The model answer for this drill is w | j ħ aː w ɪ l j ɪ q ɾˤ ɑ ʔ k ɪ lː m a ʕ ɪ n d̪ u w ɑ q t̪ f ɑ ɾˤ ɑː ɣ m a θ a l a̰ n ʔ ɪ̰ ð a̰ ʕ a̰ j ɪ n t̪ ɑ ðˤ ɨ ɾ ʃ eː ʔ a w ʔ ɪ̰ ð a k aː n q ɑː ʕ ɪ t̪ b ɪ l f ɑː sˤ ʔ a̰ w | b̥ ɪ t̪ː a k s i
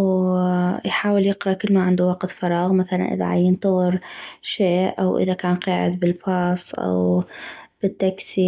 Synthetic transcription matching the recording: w | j ħ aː w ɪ l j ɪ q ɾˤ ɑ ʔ k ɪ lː m a ʕ ɪ n d̪ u w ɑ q t̪ f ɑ ɾˤ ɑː ɣ m a θ a l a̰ n ʔ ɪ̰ ð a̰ ʕ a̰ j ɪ n t̪ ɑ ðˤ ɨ ɾ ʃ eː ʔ a w ʔ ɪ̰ ð a k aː n q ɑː ʕ ɪ d̪ b ɪ l f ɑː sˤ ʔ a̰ w | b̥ ɪ t̪ː a k s i

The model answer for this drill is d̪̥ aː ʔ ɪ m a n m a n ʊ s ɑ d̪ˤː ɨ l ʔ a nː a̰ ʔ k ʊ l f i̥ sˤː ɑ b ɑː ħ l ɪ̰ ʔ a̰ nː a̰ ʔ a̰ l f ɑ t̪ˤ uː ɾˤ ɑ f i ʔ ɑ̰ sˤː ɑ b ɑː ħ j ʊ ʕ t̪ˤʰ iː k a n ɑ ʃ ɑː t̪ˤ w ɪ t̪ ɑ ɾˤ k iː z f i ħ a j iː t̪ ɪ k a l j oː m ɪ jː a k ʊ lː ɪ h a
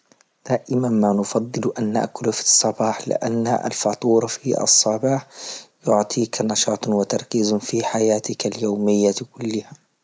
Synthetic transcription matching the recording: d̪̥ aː ʔ ɪ m a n m a n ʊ f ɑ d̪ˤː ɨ l ʔ a nː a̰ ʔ k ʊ l f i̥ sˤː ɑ b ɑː ħ l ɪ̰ ʔ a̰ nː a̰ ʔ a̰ l f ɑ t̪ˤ uː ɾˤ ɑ f i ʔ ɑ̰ sˤː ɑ b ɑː ħ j ʊ ʕ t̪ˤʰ iː k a n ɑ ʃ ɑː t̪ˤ w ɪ t̪ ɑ ɾˤ k iː z f i ħ a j aː t̪ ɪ k a l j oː m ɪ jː a k ʊ lː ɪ h a

